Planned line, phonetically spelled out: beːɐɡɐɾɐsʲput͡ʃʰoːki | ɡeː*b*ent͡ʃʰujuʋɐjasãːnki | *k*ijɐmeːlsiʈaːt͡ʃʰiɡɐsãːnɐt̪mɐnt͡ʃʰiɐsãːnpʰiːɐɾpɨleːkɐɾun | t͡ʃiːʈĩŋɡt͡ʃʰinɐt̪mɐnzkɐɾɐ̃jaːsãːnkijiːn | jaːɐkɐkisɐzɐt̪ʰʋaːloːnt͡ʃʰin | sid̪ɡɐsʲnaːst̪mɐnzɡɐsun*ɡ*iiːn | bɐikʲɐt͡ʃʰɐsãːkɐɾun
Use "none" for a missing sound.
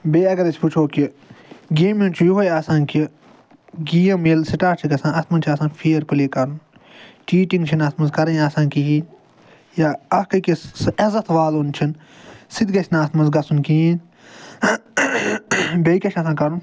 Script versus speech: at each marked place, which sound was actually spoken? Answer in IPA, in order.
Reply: m, ɡ, k

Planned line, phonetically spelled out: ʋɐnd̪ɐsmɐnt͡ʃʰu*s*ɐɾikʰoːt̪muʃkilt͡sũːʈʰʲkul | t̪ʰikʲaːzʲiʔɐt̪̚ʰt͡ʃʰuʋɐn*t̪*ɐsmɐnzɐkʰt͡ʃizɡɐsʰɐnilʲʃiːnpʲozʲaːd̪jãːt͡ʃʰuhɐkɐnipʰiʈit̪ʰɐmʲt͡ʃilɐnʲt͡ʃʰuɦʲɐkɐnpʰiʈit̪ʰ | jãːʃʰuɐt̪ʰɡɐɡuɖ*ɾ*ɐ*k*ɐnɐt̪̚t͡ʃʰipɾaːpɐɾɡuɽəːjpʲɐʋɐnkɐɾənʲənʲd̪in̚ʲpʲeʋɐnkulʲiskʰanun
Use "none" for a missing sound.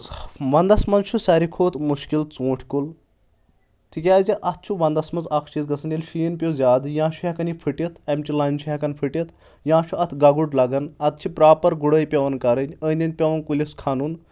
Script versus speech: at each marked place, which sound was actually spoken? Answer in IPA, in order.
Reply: s, d̪, l, ɡ

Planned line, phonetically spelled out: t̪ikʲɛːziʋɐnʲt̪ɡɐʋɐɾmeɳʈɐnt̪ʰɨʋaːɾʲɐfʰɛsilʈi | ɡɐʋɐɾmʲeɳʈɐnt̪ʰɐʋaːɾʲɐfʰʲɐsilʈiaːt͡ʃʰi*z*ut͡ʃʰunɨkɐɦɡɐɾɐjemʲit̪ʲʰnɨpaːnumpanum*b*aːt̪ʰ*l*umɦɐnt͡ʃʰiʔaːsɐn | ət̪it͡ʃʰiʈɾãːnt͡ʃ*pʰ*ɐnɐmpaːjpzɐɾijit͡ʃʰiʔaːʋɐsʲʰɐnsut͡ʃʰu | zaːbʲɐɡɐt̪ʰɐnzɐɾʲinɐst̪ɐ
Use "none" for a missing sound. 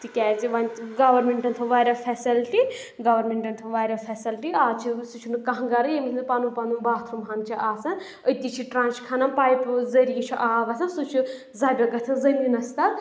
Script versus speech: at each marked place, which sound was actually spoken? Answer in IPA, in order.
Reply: s, b, ɾ, kʰ

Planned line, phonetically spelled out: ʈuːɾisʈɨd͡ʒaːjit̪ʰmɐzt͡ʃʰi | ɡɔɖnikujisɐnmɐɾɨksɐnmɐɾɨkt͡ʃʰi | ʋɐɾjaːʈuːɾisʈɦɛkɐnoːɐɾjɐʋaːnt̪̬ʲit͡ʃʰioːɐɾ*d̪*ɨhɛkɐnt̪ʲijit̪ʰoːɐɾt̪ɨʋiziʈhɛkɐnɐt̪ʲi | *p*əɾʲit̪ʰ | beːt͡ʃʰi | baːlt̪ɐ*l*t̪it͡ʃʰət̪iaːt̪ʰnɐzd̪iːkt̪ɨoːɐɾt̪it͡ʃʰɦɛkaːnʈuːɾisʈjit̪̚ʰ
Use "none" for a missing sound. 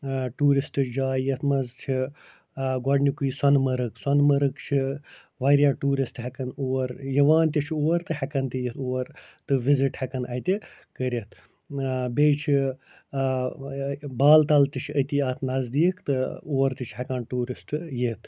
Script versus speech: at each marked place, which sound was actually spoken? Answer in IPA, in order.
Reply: t̪, k, l

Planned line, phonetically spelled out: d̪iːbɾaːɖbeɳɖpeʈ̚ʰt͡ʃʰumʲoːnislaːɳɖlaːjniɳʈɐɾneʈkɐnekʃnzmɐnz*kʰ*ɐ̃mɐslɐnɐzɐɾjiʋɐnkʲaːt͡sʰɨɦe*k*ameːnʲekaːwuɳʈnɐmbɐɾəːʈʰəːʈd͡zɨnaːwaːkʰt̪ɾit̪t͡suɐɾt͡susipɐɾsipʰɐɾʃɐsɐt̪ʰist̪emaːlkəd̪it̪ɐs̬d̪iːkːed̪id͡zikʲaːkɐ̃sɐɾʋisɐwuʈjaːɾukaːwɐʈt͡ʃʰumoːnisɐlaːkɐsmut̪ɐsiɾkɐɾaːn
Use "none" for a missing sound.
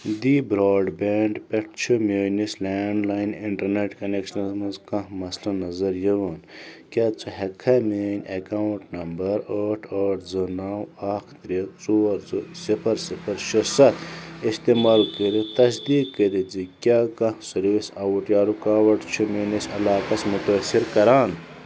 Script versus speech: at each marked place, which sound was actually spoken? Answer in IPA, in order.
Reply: k, kʰ

